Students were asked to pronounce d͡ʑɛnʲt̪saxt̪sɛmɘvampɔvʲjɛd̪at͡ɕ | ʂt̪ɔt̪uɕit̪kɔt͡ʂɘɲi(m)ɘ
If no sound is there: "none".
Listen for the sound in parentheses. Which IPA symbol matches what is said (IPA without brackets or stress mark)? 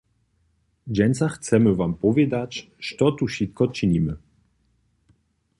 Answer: m